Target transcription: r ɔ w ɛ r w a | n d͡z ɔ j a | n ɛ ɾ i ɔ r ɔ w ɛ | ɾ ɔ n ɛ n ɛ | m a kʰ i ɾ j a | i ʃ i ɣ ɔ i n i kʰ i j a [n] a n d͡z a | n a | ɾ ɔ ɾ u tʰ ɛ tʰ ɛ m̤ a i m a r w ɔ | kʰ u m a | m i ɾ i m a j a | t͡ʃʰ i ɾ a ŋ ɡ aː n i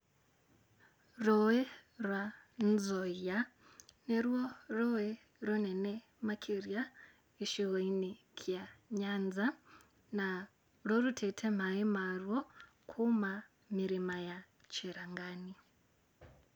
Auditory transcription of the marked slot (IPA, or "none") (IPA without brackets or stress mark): ɲ